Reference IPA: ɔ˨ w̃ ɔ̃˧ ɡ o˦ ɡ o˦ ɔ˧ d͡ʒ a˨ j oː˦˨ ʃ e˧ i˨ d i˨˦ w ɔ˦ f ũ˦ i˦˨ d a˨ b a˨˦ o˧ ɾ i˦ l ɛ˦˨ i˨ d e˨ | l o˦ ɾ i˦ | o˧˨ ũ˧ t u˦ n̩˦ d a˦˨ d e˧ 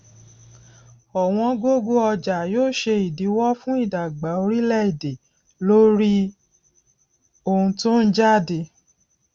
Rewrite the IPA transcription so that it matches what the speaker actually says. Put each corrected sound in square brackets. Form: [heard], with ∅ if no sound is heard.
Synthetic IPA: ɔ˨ w̃ ɔ̃˧ ɡ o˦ ɡ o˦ ɔ˧ d͡ʒ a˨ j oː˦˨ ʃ e˧ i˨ d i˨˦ w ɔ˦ f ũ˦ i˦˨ d a˨ [ɡ͡b] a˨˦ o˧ ɾ i˦ l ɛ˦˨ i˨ d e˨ | l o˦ ɾ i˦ | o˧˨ ũ˧ t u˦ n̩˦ [d͡ʒ] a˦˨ d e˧